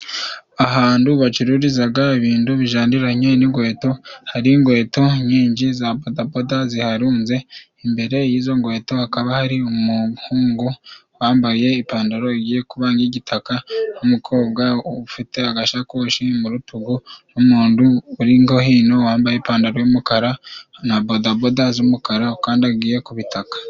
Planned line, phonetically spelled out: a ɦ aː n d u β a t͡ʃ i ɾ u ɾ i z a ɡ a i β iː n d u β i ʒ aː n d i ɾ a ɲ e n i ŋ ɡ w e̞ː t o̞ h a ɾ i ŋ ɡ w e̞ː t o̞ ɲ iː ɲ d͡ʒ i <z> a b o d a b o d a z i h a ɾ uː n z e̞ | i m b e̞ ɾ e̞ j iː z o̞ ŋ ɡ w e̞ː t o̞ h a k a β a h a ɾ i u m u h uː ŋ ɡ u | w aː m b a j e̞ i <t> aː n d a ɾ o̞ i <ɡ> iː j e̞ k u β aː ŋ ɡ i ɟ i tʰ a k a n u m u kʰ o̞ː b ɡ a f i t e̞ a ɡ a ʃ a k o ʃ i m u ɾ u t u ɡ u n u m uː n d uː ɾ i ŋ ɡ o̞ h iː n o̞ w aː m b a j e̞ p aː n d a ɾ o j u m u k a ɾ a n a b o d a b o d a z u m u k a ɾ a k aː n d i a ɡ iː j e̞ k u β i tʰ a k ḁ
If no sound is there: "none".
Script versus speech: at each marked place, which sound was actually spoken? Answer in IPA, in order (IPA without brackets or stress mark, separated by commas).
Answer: z, p, ɡ